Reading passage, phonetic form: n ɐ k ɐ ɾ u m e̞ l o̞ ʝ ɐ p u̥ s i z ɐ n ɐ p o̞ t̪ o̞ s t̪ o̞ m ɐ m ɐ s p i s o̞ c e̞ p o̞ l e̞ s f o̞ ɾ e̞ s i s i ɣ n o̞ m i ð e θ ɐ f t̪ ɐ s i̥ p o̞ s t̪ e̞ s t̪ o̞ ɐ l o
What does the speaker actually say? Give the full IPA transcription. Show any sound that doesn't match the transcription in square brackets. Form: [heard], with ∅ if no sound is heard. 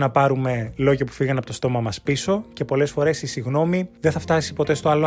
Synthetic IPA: n ɐ [p] ɐ ɾ u m e̞ l o̞ ʝ ɐ p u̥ [f] i [ɣ] ɐ n ɐ p o̞ t̪ o̞ s t̪ o̞ m ɐ m ɐ s p i s o̞ c e̞ p o̞ l e̞ s f o̞ ɾ e̞ s i s i ɣ n o̞ m i ð e θ ɐ f t̪ ɐ s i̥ p o̞ [∅] t̪ e̞ s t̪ o̞ ɐ l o